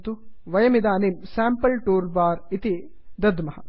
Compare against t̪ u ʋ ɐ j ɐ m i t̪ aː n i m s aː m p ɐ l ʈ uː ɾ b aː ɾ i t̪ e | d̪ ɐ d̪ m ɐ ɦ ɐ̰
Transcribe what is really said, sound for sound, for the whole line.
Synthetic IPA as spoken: t̪ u ʋ ɐ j ɐ m i d̪ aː n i m s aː m p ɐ l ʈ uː ɾ b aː ɾ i t̪ i | d̪ ɐ d̪ m ɐ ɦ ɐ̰